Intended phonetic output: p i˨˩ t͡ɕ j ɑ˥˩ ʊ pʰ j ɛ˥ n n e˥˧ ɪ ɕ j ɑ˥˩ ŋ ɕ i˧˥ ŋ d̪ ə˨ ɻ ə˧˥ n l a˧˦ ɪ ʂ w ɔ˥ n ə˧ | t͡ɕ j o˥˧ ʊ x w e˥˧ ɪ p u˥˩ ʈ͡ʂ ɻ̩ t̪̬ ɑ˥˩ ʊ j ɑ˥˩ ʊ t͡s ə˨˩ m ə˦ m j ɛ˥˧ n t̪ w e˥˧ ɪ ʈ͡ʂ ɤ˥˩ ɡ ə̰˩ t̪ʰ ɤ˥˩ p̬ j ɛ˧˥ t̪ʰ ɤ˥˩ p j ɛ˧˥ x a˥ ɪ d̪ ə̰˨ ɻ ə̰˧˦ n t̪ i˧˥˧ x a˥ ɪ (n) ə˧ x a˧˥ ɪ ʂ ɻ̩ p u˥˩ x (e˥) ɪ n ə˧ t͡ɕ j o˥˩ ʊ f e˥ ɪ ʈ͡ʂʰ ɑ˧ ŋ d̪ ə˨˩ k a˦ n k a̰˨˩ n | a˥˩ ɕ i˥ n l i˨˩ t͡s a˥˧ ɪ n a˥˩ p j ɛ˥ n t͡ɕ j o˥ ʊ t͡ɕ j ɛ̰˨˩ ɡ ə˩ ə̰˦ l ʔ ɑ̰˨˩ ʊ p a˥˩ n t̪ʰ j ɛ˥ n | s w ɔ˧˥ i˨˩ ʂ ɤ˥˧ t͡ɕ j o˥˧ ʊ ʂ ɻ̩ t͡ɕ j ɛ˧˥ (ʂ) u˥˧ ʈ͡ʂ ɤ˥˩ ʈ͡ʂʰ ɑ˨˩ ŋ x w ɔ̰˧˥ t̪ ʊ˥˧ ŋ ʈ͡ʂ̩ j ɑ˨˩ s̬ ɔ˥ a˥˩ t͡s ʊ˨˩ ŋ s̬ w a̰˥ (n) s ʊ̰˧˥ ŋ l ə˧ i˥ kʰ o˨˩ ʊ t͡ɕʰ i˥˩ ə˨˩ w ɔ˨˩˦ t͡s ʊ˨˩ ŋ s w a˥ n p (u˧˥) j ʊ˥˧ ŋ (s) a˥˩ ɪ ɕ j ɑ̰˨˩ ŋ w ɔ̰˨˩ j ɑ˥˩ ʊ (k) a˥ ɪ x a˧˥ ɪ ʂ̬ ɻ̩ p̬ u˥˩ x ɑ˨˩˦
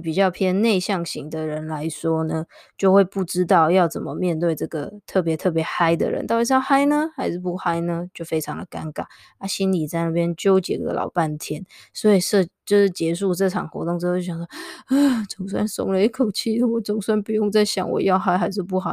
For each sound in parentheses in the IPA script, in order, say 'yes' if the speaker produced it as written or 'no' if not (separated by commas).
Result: yes, no, yes, yes, no, no, no